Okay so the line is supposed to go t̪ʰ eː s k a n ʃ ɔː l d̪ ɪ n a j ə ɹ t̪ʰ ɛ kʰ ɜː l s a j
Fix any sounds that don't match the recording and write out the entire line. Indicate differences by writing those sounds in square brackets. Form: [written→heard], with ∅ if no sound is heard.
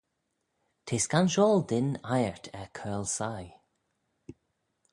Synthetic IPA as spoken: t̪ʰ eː s k a n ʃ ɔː l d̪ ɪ n a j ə ɹ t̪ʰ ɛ kʰ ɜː l s a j